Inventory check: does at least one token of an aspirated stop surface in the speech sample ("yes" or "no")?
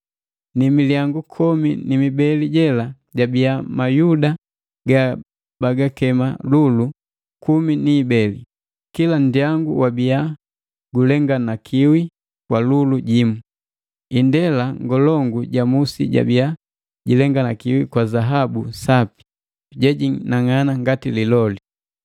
yes